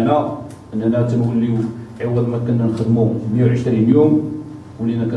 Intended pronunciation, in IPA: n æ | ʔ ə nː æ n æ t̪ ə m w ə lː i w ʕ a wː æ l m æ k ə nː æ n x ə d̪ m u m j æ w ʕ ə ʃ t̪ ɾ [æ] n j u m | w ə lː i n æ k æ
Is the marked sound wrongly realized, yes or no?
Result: yes